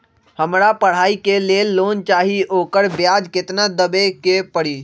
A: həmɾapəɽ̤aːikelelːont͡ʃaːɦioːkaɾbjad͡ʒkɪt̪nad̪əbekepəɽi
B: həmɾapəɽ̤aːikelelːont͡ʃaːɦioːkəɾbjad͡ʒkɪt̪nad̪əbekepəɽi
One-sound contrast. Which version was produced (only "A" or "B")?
B